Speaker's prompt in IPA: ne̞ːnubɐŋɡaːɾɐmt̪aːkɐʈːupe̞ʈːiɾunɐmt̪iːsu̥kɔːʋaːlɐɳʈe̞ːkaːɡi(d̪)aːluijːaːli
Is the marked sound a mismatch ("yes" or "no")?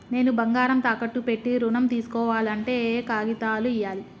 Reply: yes